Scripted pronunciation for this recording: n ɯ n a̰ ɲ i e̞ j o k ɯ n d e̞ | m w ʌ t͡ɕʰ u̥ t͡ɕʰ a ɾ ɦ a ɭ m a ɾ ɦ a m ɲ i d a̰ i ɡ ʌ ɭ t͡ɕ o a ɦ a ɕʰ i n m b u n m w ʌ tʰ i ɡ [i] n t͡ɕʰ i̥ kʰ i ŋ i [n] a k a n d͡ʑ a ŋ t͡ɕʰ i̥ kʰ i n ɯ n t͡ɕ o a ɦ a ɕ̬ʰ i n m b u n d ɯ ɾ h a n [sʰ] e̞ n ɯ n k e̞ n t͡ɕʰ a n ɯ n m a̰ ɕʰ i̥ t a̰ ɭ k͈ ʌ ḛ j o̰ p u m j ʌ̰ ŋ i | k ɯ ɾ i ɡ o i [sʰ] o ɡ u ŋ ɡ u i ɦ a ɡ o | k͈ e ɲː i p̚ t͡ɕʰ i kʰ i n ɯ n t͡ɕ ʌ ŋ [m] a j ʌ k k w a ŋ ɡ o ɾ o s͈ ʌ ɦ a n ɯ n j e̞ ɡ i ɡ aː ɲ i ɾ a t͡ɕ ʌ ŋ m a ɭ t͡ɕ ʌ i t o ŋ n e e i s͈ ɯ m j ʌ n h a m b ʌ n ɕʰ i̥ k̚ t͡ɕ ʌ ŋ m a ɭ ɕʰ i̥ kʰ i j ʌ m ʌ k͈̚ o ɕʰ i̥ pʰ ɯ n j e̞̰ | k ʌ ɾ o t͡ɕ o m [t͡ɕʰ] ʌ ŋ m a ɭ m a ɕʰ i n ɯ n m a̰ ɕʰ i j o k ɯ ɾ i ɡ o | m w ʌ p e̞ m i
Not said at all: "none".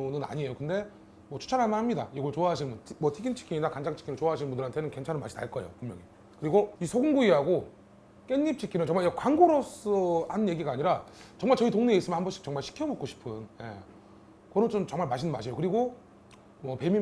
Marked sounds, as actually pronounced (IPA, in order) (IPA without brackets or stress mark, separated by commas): i, n, tʰ, sʰ, m, t͡ɕ